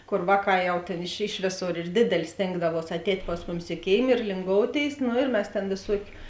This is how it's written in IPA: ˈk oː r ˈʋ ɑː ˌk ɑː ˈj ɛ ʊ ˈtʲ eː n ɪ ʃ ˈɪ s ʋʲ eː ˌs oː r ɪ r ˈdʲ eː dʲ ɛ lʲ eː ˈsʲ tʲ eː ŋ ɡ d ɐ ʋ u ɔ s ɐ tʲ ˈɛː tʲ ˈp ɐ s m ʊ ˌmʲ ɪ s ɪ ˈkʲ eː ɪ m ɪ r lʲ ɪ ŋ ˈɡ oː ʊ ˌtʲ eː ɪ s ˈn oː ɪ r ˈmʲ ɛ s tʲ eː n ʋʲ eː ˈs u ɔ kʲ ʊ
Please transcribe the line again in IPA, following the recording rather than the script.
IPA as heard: ˈk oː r ˈʋ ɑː ˌk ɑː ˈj ɛ ʊ ˈtʲ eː n ɪ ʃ ˈɪ ʃ ʋʲ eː ˌs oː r ɪ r ˈdʲ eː dʲ ɛ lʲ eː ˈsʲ tʲ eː ŋ ɡ d ɐ ʋ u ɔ s ɐ tʲ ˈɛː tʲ ˈp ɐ s m ʊ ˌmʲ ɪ s ɪ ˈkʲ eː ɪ m ɪ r lʲ ɪ ŋ ˈɡ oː ʊ ˌtʲ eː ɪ s ˈn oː ɪ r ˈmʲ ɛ s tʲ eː n ʋʲ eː ˈs u ɔ kʲ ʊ